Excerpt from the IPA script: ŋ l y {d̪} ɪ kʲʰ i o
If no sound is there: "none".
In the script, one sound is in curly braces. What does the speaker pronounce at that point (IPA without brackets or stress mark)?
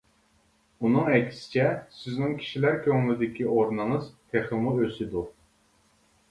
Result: d̪